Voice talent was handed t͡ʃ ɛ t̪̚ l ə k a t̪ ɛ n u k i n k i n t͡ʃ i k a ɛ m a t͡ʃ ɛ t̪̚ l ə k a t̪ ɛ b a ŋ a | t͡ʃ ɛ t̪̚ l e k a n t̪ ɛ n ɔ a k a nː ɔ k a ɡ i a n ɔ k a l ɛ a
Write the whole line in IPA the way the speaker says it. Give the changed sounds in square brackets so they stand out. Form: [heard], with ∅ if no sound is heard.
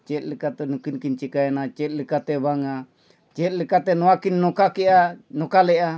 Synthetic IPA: t͡ʃ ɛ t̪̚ l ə k a t̪ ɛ n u k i n k i n t͡ʃ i k a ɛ [n] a t͡ʃ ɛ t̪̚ l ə k a t̪ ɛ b a ŋ a | t͡ʃ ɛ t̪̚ l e k a [∅] t̪ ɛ n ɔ a k [i] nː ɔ k a [k] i a n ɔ k a l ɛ a